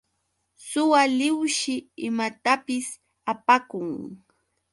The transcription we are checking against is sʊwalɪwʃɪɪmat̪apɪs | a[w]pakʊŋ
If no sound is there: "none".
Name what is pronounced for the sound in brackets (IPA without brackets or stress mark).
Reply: none